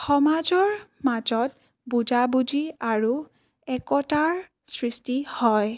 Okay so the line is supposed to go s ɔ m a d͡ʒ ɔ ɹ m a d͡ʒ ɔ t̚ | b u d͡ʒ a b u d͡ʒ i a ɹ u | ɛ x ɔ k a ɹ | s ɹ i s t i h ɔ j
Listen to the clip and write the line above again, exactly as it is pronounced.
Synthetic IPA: x ɔ m a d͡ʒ ɔ ɹ m a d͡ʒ ɔ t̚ | b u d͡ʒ a b u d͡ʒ i a ɹ u | ɛ k ɔ t a ɹ | s ɹ i s t i h ɔ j